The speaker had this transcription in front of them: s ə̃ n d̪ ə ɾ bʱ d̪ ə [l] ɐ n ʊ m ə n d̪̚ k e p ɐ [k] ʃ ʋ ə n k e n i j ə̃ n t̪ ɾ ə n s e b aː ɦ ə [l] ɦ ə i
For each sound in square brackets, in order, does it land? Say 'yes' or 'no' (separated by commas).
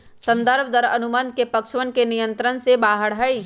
no, yes, no